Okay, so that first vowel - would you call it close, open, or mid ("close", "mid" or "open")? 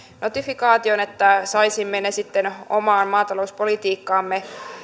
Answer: mid